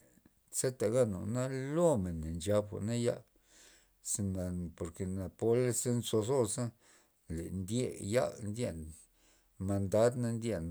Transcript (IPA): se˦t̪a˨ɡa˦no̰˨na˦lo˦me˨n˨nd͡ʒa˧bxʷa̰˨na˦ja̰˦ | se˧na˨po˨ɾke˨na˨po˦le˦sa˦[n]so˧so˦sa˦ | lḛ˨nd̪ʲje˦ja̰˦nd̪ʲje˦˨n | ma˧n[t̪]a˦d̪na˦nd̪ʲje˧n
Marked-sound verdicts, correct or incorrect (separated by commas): correct, incorrect